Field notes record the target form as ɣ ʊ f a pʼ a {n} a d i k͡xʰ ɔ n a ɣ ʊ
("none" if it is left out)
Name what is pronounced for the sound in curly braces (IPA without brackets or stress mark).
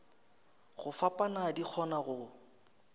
n